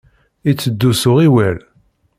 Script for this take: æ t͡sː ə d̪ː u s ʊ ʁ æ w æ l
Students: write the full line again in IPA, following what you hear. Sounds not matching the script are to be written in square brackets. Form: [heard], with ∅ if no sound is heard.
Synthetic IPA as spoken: [i] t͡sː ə d̪ː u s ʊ ʁ [i] w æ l